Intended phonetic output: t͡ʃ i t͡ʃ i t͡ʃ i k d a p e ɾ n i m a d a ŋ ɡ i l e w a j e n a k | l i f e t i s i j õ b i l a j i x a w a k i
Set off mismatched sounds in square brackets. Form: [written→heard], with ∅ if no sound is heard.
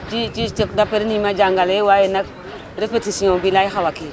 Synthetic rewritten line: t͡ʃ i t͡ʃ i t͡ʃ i k d a p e ɾ n i m a [d→d͡ʒ] a ŋ ɡ [i→a] l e w a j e n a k | [l→ɾ] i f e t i s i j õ b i l a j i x a w a k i